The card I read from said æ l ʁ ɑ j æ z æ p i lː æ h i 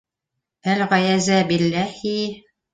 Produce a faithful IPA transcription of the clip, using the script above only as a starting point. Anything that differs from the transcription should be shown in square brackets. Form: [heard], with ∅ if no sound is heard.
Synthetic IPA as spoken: æ l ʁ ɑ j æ z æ [b] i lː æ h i